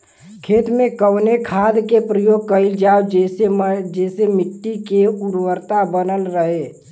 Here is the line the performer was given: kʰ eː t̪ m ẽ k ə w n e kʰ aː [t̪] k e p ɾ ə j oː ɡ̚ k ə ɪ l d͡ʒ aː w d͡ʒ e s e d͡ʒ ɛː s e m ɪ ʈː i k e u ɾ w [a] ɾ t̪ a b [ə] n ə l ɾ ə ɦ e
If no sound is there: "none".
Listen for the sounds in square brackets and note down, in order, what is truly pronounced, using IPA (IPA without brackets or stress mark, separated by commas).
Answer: d̪, ə, ə